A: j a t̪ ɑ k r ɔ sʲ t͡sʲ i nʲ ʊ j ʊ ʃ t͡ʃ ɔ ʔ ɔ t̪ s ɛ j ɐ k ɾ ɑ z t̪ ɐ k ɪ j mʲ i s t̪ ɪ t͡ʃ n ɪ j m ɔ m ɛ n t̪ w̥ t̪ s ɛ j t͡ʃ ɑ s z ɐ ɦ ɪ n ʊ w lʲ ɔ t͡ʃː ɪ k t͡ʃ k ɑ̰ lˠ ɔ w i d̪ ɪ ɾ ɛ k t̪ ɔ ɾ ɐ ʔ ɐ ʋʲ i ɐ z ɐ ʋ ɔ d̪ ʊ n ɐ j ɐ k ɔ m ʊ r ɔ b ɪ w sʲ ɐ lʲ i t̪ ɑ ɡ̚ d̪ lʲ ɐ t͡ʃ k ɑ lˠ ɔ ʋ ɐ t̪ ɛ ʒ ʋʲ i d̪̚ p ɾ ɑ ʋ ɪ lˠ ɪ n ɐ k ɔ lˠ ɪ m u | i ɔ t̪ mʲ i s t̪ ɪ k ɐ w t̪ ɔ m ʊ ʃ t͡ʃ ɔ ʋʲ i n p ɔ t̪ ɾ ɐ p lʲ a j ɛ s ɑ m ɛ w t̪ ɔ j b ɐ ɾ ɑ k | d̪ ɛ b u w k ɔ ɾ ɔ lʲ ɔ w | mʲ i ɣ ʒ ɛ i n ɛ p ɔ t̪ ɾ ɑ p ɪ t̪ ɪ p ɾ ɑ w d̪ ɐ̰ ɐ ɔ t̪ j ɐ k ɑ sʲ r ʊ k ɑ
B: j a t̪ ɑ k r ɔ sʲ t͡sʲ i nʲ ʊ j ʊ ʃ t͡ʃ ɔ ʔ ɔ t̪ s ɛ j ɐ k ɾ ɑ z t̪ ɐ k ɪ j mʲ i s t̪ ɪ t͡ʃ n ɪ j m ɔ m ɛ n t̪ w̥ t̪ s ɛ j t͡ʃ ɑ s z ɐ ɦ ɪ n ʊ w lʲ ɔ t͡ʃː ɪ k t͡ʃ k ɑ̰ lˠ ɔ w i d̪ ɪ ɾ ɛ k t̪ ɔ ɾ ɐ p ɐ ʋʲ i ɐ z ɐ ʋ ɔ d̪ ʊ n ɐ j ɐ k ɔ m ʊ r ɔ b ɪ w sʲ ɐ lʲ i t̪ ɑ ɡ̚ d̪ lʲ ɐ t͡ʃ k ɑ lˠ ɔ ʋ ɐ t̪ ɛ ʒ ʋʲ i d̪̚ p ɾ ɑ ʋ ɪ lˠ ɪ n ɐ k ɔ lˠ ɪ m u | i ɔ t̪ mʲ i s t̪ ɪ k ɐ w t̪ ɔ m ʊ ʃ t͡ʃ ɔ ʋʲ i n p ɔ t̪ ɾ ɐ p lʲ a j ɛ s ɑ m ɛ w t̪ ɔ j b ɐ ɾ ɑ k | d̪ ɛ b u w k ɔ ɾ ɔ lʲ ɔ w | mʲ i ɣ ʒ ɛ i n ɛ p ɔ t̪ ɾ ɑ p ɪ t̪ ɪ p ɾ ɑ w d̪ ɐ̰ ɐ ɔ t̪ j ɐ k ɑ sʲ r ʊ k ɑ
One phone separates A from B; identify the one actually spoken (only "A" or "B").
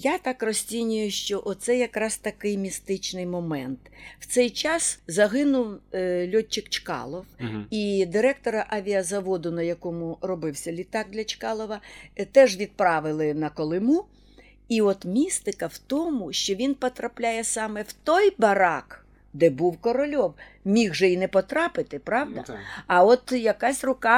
A